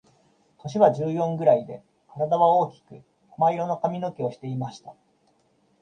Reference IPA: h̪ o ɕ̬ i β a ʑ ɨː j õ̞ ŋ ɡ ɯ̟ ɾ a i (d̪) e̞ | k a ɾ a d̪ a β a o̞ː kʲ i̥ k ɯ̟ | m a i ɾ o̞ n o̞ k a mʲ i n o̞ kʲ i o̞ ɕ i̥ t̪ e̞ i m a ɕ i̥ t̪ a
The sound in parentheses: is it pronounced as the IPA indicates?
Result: yes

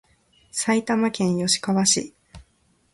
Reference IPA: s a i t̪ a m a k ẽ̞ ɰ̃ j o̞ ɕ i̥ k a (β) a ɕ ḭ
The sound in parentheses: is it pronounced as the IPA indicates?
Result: yes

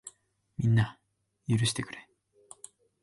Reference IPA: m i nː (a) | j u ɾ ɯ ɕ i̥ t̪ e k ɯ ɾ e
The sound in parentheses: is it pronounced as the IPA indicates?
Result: yes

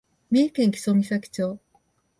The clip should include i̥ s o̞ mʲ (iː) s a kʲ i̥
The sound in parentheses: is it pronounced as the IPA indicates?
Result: no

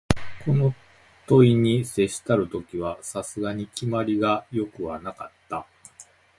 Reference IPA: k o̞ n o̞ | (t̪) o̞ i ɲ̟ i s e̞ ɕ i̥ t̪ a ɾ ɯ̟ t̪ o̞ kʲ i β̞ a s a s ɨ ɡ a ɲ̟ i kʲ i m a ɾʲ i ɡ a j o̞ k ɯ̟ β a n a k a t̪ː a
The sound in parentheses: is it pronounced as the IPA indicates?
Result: yes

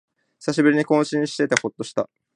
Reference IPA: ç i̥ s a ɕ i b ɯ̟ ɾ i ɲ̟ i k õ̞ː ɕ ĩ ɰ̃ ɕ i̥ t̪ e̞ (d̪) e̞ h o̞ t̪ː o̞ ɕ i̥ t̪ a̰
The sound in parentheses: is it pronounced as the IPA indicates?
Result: no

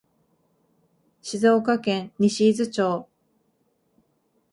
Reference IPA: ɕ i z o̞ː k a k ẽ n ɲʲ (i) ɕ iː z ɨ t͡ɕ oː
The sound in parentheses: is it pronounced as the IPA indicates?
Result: yes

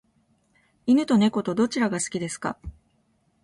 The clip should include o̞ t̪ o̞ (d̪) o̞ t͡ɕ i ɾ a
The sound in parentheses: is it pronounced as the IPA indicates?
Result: yes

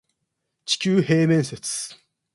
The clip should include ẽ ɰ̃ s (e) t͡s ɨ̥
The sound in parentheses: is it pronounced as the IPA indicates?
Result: yes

